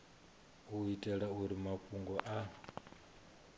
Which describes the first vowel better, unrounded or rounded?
rounded